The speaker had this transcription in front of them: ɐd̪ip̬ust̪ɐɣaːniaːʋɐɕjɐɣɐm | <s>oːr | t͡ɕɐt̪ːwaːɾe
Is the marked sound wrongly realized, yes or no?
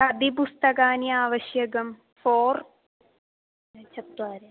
yes